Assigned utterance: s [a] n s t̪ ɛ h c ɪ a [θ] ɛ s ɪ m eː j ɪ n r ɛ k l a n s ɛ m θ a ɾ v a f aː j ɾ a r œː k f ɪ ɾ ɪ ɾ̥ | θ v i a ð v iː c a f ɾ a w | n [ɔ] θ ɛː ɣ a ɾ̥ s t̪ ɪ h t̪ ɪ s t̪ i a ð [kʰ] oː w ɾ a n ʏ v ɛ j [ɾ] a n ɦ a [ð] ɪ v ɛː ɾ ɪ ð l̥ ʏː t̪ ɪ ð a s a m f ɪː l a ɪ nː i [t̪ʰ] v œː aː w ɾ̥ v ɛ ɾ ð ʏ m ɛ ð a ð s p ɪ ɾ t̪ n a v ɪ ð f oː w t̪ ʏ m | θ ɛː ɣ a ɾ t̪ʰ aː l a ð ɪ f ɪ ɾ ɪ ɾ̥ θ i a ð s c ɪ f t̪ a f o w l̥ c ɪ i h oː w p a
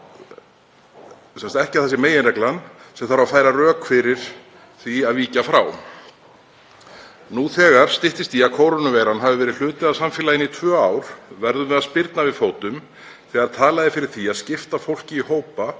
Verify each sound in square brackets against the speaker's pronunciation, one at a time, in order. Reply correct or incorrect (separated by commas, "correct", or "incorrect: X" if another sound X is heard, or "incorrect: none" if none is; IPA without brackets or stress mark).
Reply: incorrect: ɛ, correct, incorrect: u, correct, correct, incorrect: v, correct